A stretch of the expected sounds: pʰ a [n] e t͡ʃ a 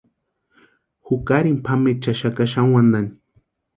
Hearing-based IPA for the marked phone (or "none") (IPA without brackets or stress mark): m